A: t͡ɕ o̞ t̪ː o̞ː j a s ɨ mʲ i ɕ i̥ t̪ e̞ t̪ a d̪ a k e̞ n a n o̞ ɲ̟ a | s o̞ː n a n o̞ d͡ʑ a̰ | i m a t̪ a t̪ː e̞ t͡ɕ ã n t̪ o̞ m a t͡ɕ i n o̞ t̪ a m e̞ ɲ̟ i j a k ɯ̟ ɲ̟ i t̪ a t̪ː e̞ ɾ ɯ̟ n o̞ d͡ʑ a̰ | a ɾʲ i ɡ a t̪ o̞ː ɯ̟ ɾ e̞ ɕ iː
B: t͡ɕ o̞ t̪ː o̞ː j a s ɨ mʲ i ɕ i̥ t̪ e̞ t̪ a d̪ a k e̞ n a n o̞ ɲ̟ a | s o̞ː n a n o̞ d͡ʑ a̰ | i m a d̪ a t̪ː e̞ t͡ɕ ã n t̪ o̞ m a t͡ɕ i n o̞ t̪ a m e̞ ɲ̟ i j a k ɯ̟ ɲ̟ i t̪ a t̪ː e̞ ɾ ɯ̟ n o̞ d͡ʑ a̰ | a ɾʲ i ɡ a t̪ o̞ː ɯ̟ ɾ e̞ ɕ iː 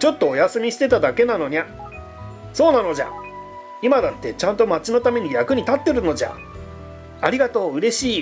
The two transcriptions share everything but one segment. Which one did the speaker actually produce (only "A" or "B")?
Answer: B